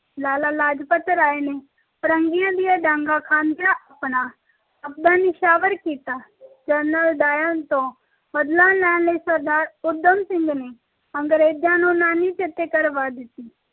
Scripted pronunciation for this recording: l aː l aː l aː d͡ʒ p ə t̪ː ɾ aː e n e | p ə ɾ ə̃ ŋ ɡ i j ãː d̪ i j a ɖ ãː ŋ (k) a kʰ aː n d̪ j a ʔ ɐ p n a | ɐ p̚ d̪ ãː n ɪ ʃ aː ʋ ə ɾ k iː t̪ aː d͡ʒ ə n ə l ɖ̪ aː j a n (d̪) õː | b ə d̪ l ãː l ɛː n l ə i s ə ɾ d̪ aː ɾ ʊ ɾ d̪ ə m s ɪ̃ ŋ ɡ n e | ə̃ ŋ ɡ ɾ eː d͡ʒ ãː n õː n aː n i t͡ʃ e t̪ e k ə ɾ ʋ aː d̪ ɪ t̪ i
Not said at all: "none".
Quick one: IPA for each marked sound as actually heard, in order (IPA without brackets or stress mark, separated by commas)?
ɡ, t̪